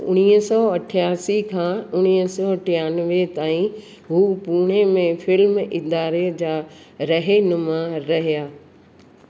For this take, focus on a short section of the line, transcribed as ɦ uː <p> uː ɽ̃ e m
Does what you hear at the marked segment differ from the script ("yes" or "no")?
no